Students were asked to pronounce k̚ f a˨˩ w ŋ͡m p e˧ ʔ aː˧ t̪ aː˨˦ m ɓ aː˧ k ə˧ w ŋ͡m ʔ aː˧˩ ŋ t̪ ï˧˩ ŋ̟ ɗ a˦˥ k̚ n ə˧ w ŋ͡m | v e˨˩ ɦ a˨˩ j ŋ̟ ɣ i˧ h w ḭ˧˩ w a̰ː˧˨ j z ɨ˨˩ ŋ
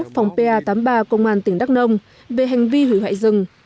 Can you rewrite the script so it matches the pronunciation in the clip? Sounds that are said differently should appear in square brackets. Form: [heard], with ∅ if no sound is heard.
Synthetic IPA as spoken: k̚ f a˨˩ w ŋ͡m p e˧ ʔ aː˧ t̪ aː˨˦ m ɓ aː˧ k ə˧ w ŋ͡m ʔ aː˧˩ [n] t̪ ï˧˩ ŋ̟ ɗ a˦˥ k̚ n ə˧ w ŋ͡m | v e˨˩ ɦ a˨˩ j ŋ̟ [v] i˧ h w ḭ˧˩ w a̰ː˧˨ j z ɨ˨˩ ŋ